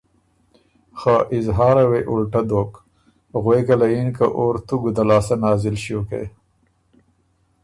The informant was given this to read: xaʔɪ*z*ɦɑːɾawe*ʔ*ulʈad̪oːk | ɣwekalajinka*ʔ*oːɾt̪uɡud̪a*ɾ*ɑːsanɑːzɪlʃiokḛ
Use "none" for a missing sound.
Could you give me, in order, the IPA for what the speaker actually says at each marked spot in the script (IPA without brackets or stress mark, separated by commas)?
z, ʔ, ʔ, l